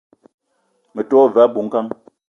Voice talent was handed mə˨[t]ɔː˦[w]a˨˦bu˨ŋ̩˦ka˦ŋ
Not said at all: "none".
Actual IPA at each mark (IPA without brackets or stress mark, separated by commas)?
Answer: t, v